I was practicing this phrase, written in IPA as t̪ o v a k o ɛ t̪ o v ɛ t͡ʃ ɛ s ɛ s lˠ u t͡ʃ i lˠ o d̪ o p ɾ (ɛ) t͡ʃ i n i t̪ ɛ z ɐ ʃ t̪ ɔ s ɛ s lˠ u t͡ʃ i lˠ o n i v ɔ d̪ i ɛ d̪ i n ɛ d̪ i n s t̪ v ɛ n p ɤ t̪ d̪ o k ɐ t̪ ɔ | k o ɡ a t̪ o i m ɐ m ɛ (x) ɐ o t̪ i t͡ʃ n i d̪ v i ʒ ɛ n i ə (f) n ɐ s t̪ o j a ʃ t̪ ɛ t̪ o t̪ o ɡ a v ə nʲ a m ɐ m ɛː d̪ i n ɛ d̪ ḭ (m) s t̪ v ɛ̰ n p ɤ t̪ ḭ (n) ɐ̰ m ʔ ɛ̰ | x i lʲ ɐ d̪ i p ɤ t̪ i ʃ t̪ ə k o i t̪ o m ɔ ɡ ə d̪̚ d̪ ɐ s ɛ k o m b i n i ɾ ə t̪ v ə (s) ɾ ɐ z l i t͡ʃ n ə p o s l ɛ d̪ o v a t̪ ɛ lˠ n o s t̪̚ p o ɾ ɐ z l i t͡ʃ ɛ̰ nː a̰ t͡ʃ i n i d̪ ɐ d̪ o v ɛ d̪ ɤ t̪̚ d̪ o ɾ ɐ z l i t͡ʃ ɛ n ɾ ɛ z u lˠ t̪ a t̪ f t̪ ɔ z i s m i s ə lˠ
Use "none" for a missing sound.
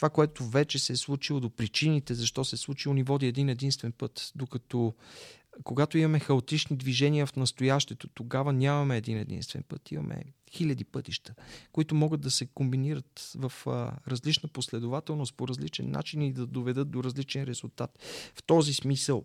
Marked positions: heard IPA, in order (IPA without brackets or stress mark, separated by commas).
i, x, f, n, m, f